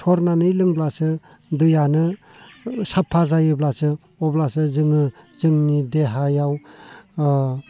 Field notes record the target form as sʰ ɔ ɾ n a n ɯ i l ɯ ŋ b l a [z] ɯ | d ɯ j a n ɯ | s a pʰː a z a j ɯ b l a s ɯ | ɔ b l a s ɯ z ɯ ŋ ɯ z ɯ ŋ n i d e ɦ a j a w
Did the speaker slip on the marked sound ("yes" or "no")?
yes